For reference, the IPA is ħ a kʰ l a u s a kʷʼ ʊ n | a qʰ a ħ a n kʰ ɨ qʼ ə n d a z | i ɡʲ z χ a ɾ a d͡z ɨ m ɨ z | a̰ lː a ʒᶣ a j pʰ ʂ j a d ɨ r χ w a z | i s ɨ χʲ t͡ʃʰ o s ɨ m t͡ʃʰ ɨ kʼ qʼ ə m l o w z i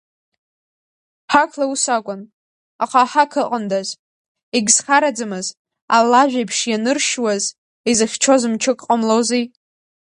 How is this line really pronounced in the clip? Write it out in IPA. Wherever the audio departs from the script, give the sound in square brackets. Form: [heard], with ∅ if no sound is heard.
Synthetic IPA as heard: ħ a kʰ l a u s a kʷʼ ʊ n | a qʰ a ħ a [∅] kʰ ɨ qʼ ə n d a z | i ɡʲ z χ a ɾ a d͡z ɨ m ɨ z | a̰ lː a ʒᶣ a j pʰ ʂ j a [n] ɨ r [ʃ] w a z | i [z] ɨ χʲ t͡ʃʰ o [z] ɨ m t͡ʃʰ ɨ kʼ qʼ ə m l o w z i